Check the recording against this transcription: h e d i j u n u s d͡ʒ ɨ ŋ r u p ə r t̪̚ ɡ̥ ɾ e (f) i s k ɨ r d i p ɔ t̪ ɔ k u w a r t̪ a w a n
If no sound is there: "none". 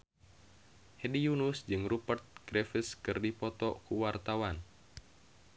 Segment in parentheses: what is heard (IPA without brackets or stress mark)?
f